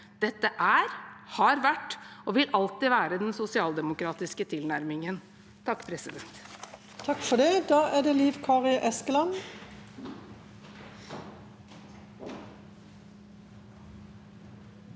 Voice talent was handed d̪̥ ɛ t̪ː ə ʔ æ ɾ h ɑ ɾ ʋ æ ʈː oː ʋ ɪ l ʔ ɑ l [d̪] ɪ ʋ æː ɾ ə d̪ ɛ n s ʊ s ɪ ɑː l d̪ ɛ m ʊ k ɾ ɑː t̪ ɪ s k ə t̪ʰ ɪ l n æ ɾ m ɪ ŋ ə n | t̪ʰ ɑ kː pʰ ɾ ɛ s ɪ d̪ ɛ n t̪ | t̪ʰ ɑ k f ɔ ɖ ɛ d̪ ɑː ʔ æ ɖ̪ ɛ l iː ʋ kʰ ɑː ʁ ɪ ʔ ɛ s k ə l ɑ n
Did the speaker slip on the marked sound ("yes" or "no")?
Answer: yes